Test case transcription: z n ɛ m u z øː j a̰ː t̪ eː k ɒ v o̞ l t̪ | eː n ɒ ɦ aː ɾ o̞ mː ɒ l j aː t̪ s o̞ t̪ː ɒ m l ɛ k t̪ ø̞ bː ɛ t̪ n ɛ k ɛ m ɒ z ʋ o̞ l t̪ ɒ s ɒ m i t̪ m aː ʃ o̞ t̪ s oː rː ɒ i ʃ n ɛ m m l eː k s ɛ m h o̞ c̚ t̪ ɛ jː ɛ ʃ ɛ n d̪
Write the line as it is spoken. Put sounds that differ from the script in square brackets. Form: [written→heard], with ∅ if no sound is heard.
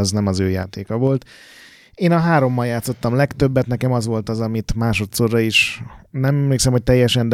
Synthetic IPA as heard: z n ɛ m [u→ɒ] z øː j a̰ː t̪ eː k ɒ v o̞ l t̪ | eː n ɒ ɦ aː ɾ o̞ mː ɒ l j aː t̪ s o̞ t̪ː ɒ m l ɛ k t̪ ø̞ bː ɛ t̪ n ɛ k ɛ m ɒ z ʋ o̞ l t̪ ɒ [s→z] ɒ m i t̪ m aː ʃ o̞ t̪ s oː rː ɒ i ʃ n ɛ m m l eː k s ɛ m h o̞ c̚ t̪ ɛ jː ɛ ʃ ɛ n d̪